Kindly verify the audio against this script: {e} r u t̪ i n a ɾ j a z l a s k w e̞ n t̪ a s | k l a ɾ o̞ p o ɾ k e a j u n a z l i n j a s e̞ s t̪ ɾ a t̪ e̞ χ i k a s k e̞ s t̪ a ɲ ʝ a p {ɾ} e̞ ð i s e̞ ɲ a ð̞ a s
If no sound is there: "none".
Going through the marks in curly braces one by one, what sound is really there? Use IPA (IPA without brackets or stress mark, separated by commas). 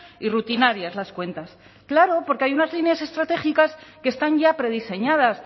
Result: i, ɾ